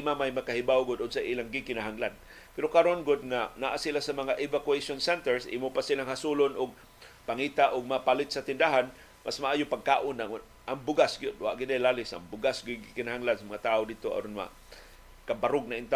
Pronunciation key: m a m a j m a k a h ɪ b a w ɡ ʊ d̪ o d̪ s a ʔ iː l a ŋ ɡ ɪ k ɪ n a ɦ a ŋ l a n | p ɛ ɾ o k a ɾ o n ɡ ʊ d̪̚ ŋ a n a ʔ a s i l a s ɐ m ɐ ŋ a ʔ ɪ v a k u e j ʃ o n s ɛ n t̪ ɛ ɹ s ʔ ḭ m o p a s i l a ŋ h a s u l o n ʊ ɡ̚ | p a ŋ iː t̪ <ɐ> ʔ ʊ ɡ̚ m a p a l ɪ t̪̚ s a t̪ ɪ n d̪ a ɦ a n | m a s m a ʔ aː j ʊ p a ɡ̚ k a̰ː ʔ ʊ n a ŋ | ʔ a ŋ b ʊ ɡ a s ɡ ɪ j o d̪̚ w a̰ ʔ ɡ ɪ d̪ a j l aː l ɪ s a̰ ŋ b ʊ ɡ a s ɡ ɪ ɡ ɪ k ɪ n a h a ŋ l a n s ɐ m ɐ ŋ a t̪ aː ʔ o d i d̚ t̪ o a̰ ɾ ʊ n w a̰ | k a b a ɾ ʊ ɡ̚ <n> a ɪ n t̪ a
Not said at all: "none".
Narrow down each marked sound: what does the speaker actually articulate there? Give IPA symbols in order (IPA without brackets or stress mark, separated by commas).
a, n